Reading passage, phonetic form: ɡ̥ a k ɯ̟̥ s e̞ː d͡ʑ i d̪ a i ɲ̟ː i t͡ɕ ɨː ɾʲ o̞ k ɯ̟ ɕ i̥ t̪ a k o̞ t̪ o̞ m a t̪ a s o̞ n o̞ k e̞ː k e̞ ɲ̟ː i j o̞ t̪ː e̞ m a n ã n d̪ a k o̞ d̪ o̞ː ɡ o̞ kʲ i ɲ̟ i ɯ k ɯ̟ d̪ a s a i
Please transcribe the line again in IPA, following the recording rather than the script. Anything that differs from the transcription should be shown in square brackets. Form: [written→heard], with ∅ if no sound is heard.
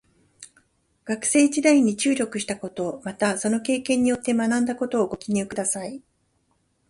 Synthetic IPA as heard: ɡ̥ a k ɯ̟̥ s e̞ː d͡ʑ i d̪ a i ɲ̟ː i t͡ɕ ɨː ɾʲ o̞ k ɯ̟ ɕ i̥ t̪ a k o̞ t̪ o̞ m a t̪ a s o̞ n o̞ k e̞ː k [e̞→ẽ̞] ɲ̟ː i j o̞ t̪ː e̞ m a n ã n d̪ a k o̞ [d̪→t̪] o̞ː ɡ o̞ kʲ i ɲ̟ i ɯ k ɯ̟ d̪ a s a i